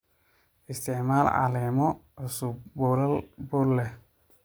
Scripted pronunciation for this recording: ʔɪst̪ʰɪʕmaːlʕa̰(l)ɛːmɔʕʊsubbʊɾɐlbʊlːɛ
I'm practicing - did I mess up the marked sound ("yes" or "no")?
no